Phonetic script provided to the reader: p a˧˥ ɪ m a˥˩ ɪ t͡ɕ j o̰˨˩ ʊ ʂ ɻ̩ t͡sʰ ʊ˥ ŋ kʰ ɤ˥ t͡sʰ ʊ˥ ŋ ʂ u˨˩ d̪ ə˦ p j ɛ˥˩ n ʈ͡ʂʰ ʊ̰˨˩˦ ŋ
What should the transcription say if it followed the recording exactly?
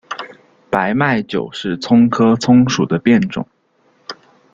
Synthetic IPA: p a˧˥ ɪ m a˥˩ ɪ t͡ɕ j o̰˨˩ ʊ ʂ ɻ̩ t͡sʰ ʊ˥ ŋ kʰ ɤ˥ t͡sʰ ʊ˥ ŋ ʂ u˨˩ d̪ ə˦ p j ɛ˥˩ n ʈ͡ʂ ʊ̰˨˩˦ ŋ